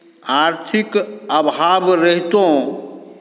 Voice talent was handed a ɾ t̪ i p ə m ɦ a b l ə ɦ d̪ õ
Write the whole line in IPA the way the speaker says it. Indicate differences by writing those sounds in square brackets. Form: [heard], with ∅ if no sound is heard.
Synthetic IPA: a ɾ [t̪ʰ] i [k] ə [b] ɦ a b [ɾ] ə ɦ [t̪] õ